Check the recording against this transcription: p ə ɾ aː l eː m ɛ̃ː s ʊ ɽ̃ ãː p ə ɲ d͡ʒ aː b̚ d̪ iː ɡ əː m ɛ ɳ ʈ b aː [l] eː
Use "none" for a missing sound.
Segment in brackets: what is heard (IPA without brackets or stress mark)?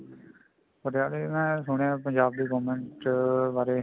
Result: ɾ